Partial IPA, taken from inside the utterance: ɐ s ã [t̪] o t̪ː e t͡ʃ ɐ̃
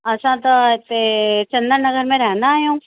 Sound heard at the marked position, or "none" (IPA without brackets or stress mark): t̪